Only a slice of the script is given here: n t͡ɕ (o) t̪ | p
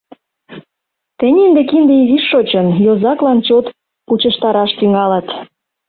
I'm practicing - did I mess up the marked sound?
no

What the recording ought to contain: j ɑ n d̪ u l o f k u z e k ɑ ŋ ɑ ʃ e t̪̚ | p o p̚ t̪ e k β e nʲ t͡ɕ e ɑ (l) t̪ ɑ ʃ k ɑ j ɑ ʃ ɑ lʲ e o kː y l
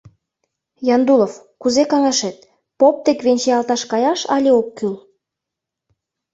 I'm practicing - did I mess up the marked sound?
no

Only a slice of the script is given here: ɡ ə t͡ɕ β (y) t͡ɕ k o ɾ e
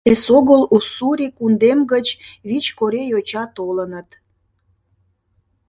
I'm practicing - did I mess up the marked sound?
yes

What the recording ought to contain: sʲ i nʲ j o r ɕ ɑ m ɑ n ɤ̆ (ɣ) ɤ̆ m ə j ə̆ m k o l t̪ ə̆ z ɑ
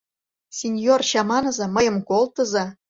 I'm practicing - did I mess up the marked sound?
yes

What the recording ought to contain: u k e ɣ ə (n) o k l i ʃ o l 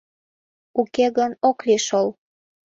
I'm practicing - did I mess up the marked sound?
no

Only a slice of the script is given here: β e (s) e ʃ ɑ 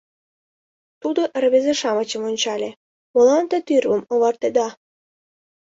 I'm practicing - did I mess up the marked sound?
yes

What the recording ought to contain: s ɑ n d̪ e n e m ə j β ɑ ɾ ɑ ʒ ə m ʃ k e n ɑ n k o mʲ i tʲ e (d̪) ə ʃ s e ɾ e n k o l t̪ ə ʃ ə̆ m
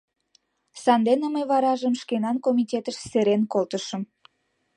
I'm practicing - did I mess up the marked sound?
yes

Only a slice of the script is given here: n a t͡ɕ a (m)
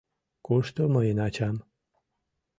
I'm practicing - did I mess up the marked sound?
no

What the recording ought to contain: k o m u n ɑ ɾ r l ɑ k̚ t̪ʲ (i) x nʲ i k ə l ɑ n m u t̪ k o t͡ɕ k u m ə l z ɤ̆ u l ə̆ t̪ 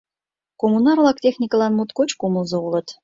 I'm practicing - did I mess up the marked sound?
yes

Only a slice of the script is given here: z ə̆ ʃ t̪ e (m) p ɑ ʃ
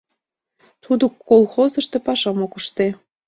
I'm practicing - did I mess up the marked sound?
yes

